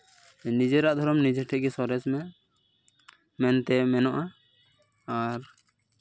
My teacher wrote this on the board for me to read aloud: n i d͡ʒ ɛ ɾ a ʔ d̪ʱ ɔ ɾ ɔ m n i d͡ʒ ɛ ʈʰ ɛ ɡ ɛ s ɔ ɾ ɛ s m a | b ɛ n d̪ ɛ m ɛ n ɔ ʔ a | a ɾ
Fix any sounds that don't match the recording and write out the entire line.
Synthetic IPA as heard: n i d͡ʒ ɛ ɾ a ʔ d̪ʱ ɔ ɾ ɔ m n i d͡ʒ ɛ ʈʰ ɛ ɡ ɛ s ɔ ɾ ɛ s m ɛ | m ɛ n t̪ ɛ m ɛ n ɔ ʔ a | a ɾ